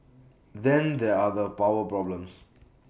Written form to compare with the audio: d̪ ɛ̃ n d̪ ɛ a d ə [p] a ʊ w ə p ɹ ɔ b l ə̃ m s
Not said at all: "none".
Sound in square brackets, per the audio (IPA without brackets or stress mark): p